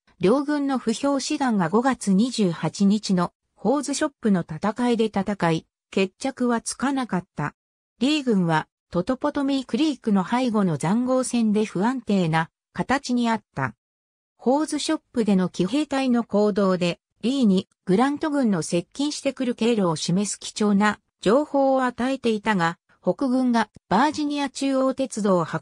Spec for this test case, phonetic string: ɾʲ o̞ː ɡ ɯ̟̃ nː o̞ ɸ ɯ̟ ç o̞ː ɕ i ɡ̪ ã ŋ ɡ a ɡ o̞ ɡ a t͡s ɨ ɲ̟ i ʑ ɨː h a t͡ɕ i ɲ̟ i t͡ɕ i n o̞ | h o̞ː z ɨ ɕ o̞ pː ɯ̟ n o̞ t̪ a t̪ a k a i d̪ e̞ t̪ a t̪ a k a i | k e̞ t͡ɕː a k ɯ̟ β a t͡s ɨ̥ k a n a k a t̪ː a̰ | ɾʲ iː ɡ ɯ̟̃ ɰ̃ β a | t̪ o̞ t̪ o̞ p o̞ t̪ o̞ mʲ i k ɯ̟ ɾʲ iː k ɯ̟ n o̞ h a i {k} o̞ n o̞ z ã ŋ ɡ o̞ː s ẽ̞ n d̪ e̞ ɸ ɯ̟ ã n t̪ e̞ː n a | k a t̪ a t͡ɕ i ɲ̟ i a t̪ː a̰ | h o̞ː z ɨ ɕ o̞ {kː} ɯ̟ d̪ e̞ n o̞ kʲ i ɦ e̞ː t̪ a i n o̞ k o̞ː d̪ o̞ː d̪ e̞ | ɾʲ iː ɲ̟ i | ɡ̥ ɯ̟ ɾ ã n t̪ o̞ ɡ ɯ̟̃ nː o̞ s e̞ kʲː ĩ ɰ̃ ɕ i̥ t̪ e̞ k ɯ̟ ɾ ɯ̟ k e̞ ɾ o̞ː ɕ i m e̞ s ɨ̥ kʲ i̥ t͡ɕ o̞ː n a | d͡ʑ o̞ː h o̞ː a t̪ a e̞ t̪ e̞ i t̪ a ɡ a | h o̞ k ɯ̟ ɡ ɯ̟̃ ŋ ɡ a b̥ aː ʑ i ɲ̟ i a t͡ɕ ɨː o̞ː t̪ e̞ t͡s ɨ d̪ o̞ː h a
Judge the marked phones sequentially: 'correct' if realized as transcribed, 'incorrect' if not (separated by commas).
incorrect, incorrect